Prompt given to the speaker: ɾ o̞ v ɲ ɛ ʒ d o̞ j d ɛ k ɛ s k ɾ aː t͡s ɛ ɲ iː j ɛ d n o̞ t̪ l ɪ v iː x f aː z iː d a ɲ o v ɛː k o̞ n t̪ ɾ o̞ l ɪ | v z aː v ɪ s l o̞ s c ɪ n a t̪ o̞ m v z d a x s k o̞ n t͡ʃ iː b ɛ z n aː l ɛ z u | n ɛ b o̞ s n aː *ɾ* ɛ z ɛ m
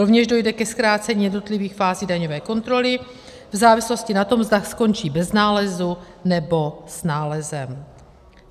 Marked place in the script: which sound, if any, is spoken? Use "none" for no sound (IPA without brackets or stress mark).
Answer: l